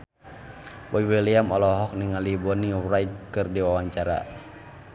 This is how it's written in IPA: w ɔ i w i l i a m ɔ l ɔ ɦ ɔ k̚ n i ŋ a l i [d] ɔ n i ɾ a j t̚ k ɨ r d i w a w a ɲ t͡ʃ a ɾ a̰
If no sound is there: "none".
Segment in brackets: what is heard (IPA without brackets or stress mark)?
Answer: b